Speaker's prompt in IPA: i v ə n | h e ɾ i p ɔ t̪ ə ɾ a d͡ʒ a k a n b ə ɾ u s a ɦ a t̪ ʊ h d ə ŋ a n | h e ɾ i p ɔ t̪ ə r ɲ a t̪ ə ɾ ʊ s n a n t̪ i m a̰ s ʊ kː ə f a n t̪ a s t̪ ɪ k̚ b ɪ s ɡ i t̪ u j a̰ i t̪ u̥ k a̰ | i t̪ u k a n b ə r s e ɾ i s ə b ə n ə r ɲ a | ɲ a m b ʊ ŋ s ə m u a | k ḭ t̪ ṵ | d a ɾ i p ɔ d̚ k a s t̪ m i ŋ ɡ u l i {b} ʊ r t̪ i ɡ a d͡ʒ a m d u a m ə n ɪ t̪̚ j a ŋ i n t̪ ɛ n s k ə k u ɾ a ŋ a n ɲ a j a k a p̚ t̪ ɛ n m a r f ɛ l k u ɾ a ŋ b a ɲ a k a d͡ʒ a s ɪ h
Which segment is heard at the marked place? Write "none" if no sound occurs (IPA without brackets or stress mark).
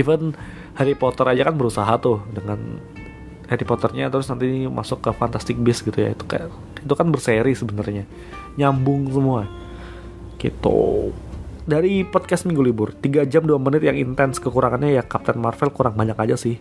b